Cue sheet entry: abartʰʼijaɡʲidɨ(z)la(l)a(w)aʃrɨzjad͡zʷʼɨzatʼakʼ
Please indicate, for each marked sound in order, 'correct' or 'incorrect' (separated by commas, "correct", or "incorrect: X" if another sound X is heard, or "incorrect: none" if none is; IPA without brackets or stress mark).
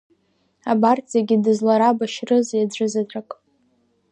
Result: correct, incorrect: ɾ, incorrect: b